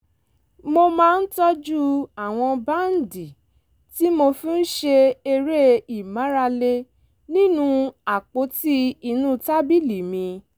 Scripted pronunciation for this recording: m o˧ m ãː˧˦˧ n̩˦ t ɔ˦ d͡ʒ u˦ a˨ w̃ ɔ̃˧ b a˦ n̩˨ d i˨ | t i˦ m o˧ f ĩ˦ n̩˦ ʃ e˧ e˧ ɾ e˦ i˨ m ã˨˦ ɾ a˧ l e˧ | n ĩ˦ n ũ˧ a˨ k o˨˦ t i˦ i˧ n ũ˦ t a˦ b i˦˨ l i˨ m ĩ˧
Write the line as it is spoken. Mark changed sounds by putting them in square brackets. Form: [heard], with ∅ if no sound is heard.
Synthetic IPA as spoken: m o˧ m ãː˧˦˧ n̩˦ t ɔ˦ d͡ʒ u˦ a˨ w̃ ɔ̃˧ b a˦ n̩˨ d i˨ | t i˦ m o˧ f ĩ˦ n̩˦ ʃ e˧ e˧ ɾ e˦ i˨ m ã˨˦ ɾ a˧ l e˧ | n ĩ˦ n ũ˧ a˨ [k͡p] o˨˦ t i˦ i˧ n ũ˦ t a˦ b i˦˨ l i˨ m ĩ˧